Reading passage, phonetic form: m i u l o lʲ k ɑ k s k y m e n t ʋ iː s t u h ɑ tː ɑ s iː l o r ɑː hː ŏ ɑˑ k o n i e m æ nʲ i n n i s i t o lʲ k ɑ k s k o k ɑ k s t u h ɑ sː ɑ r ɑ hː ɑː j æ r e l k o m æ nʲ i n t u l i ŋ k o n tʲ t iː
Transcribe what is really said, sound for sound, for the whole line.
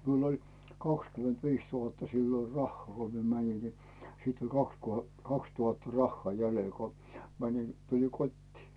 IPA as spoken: m i u l o lʲ k ɑ k s k y m e n t ʋ iː s t u h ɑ tː ɑ s iː l o r ɑ hː ŏ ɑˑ k o m i e m æ nʲ i n n i s i t o lʲ k ɑ k s k o k ɑ k s t u h ɑ tː ɑ r ɑ hː ɑː j æ l e l k o m æ nʲ i n t u l i ŋ k o tʲ t iː